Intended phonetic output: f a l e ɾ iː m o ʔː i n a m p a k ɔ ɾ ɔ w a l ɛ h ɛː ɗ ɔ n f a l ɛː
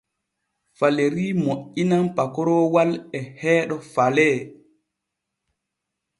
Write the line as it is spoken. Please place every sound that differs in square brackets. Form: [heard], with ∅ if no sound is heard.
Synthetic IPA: f a l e ɾ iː m o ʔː i n a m p a k ɔ ɾ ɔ w a l ɛ h ɛː ɗ ɔ [∅] f a l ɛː